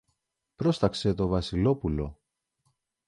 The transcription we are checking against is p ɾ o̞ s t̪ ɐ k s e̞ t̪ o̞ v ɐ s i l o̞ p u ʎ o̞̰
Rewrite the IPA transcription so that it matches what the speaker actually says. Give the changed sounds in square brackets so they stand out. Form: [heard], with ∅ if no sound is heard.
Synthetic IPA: p ɾ o̞ s t̪ ɐ k s e̞ t̪ o̞ v ɐ s i l o̞ p u [l] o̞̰